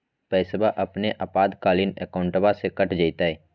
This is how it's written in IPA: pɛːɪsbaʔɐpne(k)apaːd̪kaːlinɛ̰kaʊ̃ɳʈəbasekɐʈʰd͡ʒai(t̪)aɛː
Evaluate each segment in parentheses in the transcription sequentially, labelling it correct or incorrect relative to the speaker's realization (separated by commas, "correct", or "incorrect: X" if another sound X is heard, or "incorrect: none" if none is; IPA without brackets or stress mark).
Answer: incorrect: ʔ, correct